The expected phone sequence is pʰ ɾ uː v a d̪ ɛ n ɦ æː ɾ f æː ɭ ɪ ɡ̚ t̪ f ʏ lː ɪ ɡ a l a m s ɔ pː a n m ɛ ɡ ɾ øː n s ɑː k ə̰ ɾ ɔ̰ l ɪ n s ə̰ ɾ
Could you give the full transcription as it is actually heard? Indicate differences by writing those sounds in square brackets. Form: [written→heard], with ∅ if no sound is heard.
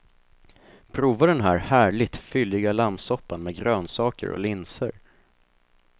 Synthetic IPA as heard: pʰ ɾ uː v a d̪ ɛ n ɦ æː ɾ [f→h] æː ɭ ɪ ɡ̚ t̪ f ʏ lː ɪ ɡ a l a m s ɔ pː a n m ɛ ɡ ɾ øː n s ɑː k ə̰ ɾ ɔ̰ l ɪ n s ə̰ ɾ